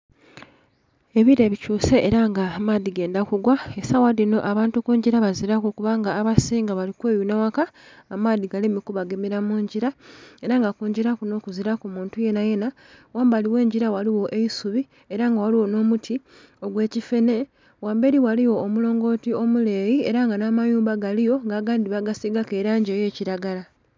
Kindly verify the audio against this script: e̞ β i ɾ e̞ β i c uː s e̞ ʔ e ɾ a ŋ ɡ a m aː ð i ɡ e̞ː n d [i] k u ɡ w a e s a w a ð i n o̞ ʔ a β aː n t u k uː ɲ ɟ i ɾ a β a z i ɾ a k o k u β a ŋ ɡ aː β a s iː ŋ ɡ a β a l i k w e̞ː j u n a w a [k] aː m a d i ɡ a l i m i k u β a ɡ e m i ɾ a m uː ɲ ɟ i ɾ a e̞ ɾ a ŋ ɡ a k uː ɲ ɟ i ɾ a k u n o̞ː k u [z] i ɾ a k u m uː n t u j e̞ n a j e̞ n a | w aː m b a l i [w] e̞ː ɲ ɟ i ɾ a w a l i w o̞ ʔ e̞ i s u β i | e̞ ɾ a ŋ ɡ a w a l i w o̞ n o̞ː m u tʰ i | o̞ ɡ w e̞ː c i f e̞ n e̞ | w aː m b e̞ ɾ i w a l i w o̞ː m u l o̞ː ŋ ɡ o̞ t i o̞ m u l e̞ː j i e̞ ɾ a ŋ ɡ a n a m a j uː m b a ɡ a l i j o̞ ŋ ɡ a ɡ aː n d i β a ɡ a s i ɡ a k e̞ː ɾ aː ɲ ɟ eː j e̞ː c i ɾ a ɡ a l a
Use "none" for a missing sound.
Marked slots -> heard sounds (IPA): a, k, z, w

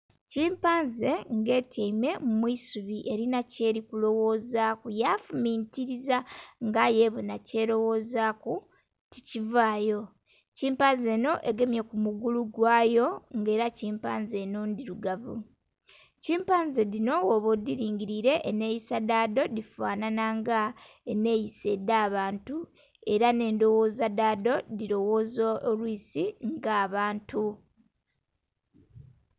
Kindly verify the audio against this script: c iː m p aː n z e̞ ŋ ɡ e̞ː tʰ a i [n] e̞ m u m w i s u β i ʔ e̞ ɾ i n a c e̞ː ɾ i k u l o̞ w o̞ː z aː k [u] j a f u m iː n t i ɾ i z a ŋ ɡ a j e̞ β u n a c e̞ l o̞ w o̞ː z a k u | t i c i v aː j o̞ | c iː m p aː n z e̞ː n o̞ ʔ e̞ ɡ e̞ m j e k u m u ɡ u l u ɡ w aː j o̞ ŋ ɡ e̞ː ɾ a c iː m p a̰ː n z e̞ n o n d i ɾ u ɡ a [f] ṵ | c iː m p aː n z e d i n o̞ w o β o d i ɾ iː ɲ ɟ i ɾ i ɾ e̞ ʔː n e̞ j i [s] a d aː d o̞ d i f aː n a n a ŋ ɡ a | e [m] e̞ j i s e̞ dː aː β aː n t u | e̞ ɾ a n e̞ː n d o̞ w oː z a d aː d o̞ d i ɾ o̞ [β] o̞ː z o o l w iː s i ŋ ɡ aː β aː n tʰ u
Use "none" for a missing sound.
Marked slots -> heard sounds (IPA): m, u, v, s, n, w

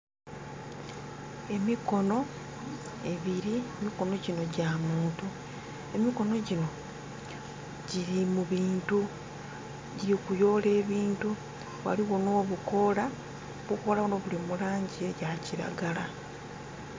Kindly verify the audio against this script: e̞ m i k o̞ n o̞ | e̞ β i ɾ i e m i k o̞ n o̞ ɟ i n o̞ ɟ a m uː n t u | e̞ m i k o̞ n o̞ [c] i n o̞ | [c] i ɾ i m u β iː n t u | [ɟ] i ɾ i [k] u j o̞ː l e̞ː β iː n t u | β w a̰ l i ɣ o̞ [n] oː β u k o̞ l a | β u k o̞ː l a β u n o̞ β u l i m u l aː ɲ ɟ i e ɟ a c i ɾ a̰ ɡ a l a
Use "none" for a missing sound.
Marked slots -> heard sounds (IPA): ɟ, ɟ, ɟ, k, n

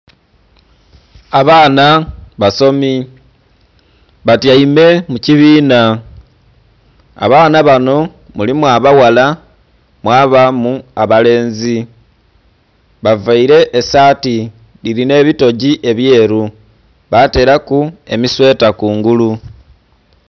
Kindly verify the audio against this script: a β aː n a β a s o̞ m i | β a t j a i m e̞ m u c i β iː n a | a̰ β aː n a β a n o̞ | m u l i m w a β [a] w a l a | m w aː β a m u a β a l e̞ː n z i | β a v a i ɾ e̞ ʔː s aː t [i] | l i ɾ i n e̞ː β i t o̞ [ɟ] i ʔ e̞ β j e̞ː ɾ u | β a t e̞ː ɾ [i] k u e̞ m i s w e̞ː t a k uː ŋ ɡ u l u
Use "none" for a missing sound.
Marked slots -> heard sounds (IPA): a, i, ɟ, a

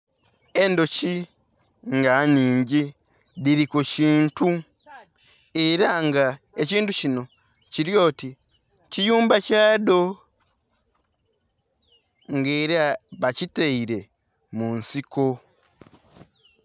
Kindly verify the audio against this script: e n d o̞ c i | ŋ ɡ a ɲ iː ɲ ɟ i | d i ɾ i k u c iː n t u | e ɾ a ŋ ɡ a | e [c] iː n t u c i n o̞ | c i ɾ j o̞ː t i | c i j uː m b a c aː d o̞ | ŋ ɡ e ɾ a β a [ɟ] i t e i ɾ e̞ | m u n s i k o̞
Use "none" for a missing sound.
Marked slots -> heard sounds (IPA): c, c

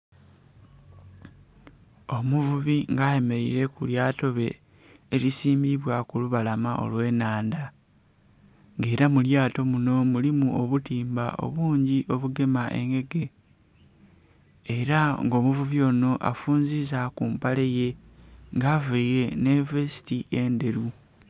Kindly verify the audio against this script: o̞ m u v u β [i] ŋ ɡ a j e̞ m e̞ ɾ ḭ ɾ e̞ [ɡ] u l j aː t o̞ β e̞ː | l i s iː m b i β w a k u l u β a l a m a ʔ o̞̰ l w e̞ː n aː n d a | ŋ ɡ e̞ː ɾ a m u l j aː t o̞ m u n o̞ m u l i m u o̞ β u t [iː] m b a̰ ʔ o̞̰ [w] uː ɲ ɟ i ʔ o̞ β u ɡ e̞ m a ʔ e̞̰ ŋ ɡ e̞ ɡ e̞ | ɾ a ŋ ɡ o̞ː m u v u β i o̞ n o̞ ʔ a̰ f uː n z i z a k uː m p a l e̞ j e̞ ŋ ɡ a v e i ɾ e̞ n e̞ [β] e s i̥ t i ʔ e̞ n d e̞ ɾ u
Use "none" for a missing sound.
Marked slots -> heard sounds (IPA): i, k, iː, β, v

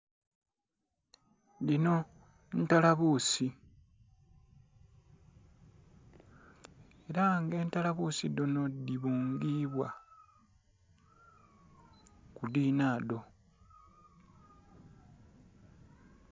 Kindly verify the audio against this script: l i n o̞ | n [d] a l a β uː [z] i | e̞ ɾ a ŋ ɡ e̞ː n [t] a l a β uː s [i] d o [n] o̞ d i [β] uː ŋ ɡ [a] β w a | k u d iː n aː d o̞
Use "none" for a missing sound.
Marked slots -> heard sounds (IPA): t, s, t, i, n, β, i

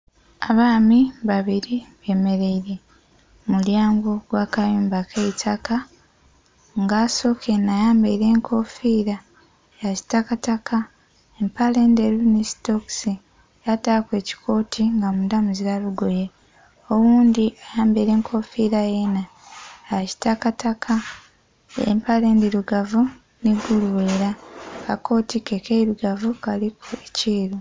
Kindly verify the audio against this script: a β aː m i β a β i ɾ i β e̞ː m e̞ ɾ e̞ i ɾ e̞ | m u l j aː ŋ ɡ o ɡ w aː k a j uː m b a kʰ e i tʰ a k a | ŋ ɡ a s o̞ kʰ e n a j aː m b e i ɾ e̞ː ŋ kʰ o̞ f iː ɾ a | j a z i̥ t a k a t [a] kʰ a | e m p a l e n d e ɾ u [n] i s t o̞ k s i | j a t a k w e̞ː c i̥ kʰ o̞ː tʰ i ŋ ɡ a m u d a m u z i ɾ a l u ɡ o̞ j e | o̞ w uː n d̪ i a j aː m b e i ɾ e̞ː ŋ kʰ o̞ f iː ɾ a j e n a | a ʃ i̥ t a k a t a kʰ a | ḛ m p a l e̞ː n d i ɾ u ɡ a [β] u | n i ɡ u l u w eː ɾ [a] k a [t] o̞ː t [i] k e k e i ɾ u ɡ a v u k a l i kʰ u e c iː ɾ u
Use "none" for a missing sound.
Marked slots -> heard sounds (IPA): a, n, v, a, k, i

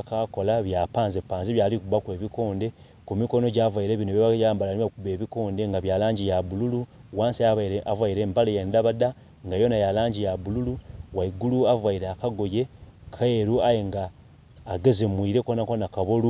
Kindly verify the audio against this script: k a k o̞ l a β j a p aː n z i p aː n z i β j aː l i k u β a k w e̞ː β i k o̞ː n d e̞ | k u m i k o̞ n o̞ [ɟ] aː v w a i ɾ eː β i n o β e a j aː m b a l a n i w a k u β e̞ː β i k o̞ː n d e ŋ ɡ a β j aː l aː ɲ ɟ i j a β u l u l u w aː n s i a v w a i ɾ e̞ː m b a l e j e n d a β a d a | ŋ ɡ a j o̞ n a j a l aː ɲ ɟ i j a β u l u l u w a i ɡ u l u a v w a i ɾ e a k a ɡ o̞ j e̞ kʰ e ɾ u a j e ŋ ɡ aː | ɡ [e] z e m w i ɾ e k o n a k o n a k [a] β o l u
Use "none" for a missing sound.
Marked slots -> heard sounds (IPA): ɟ, e, a

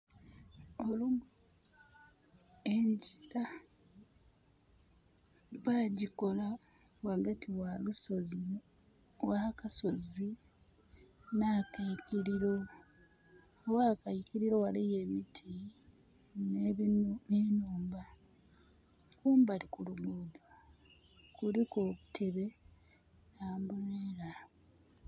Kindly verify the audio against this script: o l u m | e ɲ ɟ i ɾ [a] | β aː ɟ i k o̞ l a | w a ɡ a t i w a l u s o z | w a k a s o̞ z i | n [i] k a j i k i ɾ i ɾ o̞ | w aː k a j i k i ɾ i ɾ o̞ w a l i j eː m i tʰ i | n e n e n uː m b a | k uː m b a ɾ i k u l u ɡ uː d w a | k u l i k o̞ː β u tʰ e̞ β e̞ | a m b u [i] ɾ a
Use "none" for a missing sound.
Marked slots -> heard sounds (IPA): a, a, e

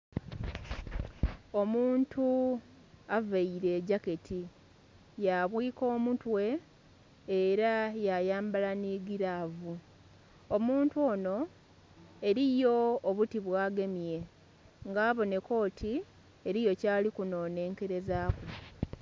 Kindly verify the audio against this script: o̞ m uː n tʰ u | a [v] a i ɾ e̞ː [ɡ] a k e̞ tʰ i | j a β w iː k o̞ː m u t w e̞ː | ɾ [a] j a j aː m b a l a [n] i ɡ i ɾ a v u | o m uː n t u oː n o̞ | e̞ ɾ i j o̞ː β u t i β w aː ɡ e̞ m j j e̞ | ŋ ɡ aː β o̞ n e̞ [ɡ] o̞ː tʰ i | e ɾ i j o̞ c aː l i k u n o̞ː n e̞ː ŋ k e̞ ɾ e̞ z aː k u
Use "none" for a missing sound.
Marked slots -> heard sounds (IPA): v, ɟ, a, n, k

